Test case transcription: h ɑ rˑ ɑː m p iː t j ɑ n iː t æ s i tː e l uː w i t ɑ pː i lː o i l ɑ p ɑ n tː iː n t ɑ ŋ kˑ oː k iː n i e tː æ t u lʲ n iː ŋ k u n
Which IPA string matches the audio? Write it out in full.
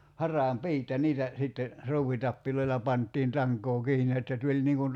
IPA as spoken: h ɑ rˑ ɑː m p iː t j ɑ n iː t æ s i tː e r uː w i t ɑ pː i l o i l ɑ p ɑ n tː iː n t ɑ ŋ kˑ oː k iː n i e tː æ t u lʲ n iː ŋ k u n